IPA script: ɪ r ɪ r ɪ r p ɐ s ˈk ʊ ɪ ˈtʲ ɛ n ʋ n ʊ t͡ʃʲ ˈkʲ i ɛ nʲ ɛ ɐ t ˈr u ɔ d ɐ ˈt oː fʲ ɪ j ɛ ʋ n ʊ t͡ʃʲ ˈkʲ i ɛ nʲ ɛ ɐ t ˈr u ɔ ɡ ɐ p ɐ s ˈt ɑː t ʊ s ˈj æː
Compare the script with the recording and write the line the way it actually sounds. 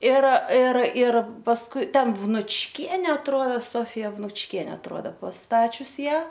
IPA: ɪ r ɪ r ɪ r p ɐ s ˈk ʊ ɪ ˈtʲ ɛ n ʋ n ʊ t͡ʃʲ ˈkʲ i ɛ nʲ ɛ ɐ t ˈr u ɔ d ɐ ˈs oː fʲ ɪ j ɛ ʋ n ʊ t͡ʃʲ ˈkʲ i ɛ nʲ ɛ ɐ t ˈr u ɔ d ɐ p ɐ s ˈt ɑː t͡ʃʲ ʊ s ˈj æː